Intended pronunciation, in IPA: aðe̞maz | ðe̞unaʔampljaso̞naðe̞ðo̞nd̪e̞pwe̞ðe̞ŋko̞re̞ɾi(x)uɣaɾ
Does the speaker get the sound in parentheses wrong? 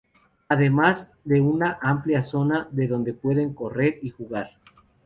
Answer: no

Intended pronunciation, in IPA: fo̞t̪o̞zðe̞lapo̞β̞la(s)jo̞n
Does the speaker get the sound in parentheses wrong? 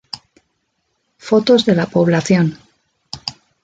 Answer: yes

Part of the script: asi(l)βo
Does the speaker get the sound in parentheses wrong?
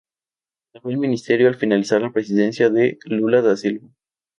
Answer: no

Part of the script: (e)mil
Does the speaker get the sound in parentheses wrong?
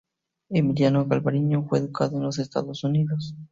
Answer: no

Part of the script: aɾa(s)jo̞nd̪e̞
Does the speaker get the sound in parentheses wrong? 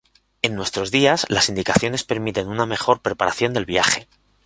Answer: yes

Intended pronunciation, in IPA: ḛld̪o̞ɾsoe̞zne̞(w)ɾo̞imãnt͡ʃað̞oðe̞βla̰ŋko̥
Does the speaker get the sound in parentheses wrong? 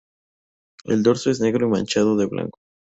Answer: yes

